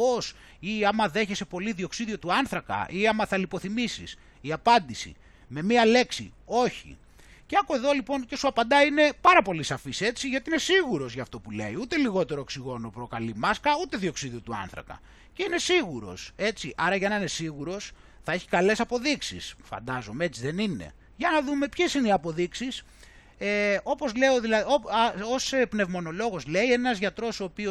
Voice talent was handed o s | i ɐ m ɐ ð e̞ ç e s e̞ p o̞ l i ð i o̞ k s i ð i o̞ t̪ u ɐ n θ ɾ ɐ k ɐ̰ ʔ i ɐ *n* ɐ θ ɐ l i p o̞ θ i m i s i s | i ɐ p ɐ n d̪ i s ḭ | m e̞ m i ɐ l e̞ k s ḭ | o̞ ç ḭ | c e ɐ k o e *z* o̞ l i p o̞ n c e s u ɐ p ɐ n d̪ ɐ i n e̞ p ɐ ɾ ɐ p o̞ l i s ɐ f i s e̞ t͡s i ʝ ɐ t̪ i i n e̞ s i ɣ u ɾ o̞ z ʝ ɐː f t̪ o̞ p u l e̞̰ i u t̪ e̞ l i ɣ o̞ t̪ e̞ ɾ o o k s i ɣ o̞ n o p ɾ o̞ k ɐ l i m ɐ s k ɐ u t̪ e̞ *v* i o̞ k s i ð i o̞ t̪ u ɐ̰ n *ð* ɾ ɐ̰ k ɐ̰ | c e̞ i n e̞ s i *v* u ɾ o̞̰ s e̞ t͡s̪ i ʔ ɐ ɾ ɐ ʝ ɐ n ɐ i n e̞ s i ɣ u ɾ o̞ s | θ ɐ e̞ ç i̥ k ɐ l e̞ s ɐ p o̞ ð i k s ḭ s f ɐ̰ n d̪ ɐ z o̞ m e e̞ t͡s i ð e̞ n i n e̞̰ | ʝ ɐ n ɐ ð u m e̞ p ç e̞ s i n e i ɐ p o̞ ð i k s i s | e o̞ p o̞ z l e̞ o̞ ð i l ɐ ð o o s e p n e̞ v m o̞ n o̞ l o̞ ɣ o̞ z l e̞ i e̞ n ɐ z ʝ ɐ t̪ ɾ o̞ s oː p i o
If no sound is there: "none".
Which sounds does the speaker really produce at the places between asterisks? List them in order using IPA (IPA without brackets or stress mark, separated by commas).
m, ð, ð, θ, ɣ